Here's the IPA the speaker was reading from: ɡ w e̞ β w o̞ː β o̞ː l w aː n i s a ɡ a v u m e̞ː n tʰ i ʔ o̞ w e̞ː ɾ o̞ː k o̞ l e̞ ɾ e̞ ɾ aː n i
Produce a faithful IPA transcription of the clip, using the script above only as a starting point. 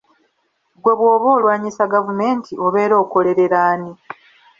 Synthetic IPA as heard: ɡ w e̞ β w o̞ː β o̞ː l w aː ɲ i s a ɡ a v u m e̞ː n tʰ i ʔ o̞ β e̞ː ɾ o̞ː k o̞ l e̞ ɾ e̞ ɾ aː n i